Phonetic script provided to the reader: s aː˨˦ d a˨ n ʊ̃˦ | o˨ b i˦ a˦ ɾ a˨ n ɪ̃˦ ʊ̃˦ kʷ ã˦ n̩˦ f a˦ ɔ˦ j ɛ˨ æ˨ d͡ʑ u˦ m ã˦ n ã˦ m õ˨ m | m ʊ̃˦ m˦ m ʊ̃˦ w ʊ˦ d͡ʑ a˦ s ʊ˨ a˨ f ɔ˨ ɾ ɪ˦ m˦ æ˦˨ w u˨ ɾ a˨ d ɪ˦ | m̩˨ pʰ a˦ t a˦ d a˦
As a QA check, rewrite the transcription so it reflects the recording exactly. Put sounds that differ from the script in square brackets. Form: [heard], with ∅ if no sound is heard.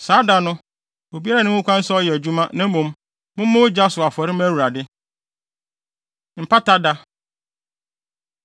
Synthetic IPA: s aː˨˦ d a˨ n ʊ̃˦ | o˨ b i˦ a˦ ɾ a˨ n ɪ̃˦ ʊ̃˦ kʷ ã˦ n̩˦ [s] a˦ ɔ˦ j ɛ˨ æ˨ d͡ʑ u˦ m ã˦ n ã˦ m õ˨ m | m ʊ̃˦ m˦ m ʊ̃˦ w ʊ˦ d͡ʑ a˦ s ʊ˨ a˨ f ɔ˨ ɾ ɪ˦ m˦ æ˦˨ w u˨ ɾ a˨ d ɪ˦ | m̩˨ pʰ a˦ t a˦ d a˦